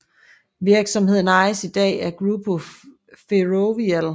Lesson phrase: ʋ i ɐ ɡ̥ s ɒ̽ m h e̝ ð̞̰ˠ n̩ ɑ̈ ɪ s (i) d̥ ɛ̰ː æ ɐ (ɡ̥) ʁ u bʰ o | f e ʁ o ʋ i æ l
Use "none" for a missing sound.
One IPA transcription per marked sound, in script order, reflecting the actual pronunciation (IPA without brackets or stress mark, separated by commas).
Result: i, ɡ̥